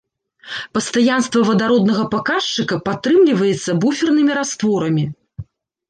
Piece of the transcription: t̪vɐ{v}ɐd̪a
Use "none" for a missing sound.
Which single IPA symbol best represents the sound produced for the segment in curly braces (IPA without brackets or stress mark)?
v